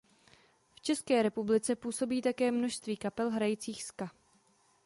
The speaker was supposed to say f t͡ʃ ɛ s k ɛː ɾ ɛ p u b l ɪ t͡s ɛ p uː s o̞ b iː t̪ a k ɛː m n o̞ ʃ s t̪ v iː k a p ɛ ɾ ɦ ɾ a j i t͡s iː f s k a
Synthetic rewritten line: f t͡ʃ ɛ s k ɛː ɾ ɛ p u b l ɪ t͡s ɛ p uː s o̞ b iː t̪ a k ɛː m n o̞ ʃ s t̪ v iː k a p ɛ l ɦ ɾ a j i t͡s iː x s k a